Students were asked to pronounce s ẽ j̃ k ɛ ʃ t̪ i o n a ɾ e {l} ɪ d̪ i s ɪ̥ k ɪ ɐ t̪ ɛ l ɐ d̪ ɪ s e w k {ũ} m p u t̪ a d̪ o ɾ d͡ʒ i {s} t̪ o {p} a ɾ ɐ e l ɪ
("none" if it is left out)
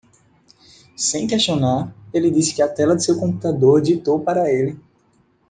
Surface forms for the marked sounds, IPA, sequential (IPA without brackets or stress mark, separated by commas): l, õ, none, p